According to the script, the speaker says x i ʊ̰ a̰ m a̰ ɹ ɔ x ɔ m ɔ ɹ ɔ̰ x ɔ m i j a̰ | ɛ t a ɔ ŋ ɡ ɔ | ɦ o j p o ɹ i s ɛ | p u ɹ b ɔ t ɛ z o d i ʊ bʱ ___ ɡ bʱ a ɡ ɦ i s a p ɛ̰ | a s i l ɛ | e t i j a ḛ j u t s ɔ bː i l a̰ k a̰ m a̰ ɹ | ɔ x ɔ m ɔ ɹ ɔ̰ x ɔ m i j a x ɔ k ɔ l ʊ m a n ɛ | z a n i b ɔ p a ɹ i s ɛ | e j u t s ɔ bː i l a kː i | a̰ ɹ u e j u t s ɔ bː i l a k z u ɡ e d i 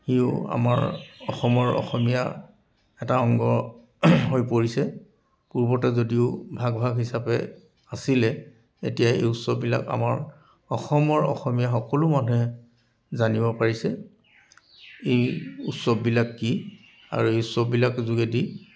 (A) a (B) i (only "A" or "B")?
A